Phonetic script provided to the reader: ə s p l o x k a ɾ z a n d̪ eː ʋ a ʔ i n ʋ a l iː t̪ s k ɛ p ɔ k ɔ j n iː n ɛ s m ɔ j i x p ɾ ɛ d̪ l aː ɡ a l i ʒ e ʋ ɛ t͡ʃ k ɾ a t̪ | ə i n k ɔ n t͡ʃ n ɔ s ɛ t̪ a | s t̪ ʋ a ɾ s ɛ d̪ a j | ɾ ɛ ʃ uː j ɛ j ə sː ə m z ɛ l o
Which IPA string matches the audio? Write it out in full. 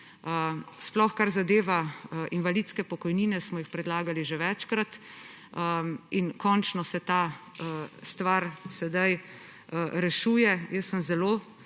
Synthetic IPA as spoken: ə s p l ɔ x k a ɾ z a d̪ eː ʋ a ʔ i n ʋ a l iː t̪ s k ɛ p ɔ k ɔ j n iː n ɛ s m ɔ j i x p ɾ ɛ d̪ l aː ɡ a l i ʒ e ʋ ɛ t͡ʃ k ɾ a t̪ | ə i n k ɔ n t͡ʃ n ɔ s ɛ t̪ a | s t̪ ʋ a ɾ s ɛ d̪ a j | ɾ ɛ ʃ uː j ɛ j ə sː ə m z ɛ l o